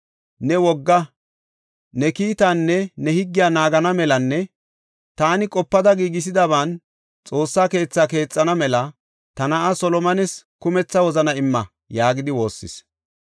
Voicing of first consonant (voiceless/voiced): voiced